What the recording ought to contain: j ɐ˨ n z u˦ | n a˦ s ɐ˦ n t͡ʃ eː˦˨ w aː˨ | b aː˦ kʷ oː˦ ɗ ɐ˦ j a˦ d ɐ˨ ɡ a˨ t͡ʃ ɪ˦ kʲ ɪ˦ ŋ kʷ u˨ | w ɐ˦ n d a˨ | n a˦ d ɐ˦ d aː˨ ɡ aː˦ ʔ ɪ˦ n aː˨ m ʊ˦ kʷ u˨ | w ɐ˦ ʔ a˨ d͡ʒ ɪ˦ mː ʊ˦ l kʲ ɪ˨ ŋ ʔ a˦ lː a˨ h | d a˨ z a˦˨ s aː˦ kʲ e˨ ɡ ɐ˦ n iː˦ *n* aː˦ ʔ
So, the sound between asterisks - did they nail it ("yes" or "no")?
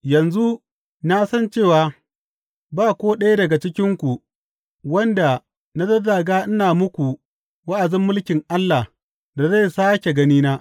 yes